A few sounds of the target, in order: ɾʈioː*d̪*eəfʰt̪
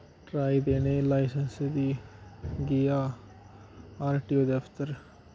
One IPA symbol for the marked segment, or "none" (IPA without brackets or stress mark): d̪